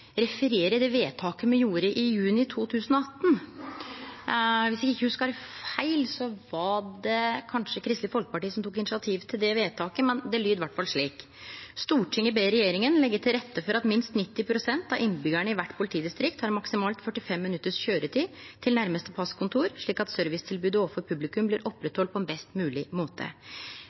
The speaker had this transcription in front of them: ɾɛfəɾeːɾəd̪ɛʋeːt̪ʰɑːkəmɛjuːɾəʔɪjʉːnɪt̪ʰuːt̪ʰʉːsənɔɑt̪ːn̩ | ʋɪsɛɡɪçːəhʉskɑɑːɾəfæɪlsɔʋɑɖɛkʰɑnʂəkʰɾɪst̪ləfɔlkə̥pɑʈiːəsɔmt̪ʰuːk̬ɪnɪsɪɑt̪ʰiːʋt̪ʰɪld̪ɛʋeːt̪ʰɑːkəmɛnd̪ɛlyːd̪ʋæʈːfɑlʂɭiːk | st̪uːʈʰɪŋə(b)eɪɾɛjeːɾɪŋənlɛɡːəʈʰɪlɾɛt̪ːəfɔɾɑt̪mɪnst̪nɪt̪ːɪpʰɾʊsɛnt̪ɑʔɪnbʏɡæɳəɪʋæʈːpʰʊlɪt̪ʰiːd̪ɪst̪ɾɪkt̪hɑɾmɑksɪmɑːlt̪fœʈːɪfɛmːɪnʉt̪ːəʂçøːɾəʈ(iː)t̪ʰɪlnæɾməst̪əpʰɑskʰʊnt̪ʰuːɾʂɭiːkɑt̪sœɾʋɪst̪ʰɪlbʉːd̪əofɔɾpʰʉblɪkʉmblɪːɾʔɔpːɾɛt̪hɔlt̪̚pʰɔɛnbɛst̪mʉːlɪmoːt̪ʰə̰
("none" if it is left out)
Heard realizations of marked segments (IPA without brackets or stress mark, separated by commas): b, iː